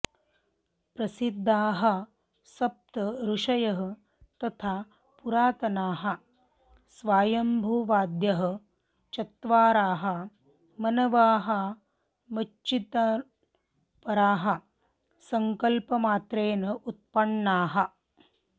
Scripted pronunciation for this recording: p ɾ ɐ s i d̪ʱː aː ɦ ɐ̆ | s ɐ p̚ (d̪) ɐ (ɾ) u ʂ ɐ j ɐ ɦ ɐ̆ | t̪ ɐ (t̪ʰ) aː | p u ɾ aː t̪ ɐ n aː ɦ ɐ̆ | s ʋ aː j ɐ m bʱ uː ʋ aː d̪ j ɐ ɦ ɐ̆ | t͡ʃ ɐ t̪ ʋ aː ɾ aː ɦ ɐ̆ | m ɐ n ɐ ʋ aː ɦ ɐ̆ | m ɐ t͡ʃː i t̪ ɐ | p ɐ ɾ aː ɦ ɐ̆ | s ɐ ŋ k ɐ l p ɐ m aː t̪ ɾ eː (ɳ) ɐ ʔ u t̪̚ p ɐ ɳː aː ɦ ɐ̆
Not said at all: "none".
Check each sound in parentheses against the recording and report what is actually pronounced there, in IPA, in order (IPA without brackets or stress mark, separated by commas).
t̪, ɾ, t̪ʰ, n